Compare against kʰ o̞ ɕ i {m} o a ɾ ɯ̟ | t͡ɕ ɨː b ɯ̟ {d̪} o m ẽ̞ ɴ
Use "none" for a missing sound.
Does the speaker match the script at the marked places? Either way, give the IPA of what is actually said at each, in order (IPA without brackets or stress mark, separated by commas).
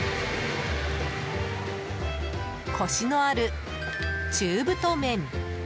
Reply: n, t̪